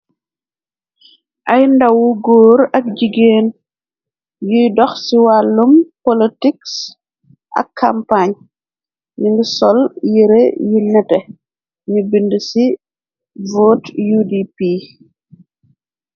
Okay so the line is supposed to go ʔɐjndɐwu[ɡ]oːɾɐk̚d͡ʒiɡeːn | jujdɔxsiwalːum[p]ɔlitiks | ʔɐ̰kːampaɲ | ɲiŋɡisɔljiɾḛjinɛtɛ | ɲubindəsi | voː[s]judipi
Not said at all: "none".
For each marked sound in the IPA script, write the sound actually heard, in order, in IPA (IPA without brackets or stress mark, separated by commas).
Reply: ɡ, p, t